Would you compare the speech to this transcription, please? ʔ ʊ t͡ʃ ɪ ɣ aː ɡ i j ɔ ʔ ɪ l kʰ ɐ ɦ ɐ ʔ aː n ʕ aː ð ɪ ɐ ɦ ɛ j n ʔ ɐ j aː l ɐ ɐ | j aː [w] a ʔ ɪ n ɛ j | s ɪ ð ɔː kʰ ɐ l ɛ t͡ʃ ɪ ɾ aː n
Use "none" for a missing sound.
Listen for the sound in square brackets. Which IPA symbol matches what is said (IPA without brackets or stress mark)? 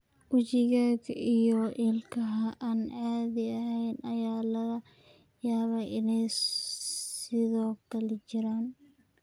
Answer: β